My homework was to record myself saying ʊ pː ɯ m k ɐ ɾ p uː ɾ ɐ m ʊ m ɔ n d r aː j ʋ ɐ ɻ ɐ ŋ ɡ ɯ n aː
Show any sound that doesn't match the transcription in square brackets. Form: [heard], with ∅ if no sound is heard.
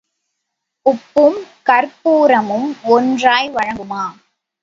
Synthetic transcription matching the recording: ʊ pː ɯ m k ɐ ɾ p uː ɾ ɐ m [ɯ] m ɔ n d r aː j ʋ ɐ ɻ ɐ ŋ ɡ ɯ [m] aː